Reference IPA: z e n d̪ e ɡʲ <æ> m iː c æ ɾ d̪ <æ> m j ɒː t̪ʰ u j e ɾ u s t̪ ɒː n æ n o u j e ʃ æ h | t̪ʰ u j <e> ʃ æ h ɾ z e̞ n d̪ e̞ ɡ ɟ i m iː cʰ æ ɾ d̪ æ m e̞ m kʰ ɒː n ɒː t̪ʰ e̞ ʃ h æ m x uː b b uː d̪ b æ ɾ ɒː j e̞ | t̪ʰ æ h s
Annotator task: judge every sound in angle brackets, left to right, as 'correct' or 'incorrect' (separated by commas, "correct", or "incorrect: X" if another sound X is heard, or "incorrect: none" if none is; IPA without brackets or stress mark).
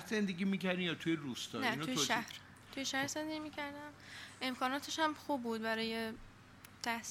incorrect: i, incorrect: i, correct